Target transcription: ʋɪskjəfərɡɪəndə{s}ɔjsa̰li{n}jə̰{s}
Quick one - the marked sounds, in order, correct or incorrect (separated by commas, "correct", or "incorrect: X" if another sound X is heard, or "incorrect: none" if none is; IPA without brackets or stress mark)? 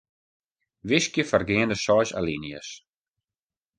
correct, correct, correct